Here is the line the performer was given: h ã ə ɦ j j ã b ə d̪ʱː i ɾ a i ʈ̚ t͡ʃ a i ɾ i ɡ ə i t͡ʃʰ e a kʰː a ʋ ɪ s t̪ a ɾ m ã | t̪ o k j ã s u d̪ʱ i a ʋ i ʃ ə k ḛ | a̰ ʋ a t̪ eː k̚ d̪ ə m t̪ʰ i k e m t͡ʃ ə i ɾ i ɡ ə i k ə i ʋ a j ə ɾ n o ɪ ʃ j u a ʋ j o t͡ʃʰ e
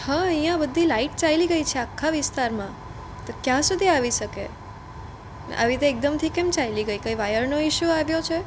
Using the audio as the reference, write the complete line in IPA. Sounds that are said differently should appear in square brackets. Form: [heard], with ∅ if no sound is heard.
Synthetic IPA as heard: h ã ə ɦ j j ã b ə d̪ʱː i [l] a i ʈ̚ t͡ʃ a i [l] i ɡ ə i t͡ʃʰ e a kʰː a ʋ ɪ s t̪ a ɾ m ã | t̪ o k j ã s u d̪ʱ i a ʋ i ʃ ə k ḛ | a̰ ʋ [i] t̪ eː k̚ d̪ ə m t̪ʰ i k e m t͡ʃ [a] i [l] i ɡ ə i k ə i ʋ a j ə ɾ n o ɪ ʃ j u a ʋ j o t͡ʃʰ e

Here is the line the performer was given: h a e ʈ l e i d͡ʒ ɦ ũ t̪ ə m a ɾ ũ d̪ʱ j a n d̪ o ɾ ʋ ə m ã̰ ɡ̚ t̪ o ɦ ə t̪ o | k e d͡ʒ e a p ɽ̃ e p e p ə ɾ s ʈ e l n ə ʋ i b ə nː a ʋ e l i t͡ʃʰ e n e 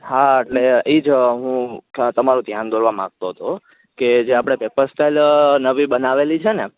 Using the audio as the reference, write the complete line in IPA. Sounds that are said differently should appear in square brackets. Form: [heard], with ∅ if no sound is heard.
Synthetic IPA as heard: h a e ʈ l e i d͡ʒ ɦ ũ t̪ ə m a ɾ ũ d̪ʱ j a n d̪ o ɾ ʋ [a] m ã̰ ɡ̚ t̪ o ɦ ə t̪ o | k e d͡ʒ e a p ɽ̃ e p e p ə ɾ s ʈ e l n ə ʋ i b ə [n] a ʋ e l i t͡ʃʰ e n e

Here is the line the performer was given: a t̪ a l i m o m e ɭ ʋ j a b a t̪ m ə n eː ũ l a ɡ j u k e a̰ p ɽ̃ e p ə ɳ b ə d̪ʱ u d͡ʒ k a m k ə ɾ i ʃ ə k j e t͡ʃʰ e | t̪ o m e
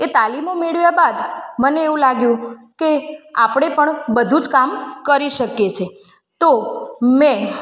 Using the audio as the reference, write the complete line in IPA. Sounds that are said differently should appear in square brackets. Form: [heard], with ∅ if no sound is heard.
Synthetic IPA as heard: [e] t̪ a l i m o m e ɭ ʋ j a b a [d̪] m ə n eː ũ l a ɡ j [ũ] k e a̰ p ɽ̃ e p ə ɳ b ə d̪ʱ u d͡ʒ k a m k ə ɾ i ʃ ə k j e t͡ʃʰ e | t̪ o m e

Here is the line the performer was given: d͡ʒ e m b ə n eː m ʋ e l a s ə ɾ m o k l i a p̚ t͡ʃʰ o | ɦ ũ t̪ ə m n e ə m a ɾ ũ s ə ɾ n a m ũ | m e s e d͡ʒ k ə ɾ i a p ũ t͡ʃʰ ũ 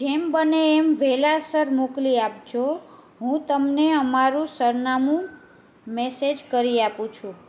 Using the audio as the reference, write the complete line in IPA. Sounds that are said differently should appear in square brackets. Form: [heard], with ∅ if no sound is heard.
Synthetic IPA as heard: d͡ʒ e m b ə n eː m ʋ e l a s ə ɾ m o k l i a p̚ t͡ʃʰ o | ɦ ũ t̪ ə m n e ə m a ɾ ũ s ə ɾ n a m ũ | m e s e d͡ʒ k ə ɾ i a p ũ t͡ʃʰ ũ

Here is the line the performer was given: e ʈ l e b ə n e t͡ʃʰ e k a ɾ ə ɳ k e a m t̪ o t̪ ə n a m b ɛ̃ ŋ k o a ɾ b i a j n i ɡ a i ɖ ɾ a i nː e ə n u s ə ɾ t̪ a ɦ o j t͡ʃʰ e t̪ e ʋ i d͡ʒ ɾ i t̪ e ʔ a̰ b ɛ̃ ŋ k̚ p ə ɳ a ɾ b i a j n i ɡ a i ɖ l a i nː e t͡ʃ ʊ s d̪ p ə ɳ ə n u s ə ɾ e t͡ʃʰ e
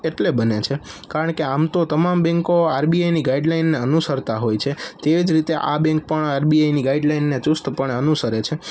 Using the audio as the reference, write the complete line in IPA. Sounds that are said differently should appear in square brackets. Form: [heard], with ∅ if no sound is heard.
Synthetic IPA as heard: e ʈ l e b ə n e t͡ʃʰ e k a ɾ ə ɳ k e a m t̪ o t̪ ə [m] a m b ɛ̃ ŋ k o a ɾ b i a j n i ɡ a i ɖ [l] a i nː e ə n u s ə ɾ t̪ a ɦ o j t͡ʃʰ e t̪ e ʋ i d͡ʒ ɾ i t̪ e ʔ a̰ b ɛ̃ ŋ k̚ p ə ɳ a ɾ b i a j n i ɡ a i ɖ l a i nː e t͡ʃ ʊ s [t̪] p ə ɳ ə n u s ə ɾ e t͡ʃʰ e

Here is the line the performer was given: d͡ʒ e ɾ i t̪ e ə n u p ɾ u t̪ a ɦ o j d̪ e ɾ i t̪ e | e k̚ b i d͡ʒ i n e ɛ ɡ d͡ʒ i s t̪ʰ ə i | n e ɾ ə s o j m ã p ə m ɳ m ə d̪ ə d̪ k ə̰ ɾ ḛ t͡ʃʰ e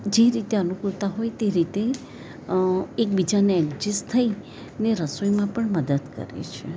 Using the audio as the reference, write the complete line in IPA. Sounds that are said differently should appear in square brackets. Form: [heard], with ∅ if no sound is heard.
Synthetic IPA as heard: d͡ʒ e ɾ i t̪ e ə n u [k] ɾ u t̪ a ɦ o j [t̪] e ɾ i t̪ e | e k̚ b i d͡ʒ [a] n e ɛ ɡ d͡ʒ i s t̪ʰ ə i | n e ɾ ə s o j m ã p ə [∅] ɳ m ə d̪ ə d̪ k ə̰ ɾ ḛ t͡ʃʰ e

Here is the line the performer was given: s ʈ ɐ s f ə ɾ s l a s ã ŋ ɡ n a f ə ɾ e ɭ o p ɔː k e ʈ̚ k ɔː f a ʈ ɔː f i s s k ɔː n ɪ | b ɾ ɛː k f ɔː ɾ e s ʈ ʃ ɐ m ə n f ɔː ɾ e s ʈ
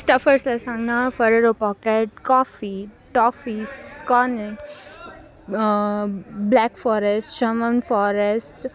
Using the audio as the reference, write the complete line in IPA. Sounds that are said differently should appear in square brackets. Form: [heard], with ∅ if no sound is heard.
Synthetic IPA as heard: s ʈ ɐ [∅] f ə ɾ s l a s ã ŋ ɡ n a f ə ɾ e [ɾ] o p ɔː k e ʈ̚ k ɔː f [i] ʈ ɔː f i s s k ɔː n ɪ | b [l] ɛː k f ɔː ɾ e s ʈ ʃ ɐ m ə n f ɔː ɾ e s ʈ

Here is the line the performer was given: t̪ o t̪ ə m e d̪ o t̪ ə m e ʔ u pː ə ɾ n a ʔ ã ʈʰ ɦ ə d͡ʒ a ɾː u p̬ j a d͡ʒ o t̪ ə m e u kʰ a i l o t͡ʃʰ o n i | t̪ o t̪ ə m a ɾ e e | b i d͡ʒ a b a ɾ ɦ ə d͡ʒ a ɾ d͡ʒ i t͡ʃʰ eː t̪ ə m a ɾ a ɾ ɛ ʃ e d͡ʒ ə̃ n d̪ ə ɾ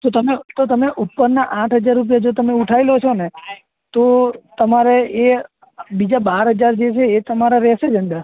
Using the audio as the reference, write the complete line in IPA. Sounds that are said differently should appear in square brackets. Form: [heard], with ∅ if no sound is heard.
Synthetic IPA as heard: t̪ o t̪ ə m e [t̪] o t̪ ə m e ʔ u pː ə ɾ n a ʔ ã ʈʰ ɦ ə d͡ʒ a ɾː u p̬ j a d͡ʒ o t̪ ə m e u [ʈʰ] a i l o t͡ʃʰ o n [e] | t̪ o t̪ ə m a ɾ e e | b i d͡ʒ a b a ɾ ɦ ə d͡ʒ a ɾ d͡ʒ [e] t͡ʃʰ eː t̪ ə m a ɾ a ɾ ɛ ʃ e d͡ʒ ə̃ n d̪ ə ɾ

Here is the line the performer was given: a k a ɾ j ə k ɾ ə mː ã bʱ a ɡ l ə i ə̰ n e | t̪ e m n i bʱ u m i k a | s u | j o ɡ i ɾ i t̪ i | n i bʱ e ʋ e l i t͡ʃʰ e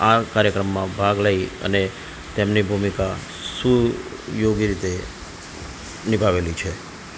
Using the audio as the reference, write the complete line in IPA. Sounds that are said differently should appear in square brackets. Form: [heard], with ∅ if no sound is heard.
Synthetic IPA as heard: a k a ɾ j ə k ɾ ə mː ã bʱ a ɡ l ə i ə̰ n e | t̪ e m n i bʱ u m i k a | s u | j o ɡ i ɾ i t̪ [e] | n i bʱ [a] ʋ e l i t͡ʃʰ e

